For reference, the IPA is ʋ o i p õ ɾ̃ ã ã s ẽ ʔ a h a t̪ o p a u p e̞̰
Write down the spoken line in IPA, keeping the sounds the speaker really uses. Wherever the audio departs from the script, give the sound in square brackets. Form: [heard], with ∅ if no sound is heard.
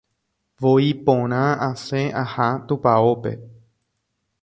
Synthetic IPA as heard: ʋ o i p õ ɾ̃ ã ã s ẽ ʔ a h a t̪ [u] p a [o] p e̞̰